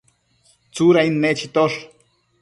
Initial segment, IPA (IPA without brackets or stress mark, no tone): t͡s